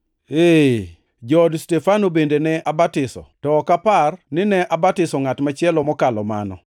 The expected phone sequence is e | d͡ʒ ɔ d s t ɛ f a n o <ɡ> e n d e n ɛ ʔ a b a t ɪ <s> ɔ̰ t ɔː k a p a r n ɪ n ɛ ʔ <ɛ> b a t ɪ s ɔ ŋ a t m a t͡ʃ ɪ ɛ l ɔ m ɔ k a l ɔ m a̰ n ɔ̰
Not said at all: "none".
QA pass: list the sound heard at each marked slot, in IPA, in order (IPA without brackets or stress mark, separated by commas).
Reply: b, s, a